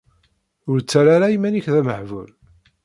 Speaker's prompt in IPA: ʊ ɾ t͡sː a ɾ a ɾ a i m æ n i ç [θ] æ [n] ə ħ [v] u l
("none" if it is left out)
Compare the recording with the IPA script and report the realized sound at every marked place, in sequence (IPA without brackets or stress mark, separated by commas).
ð, m, v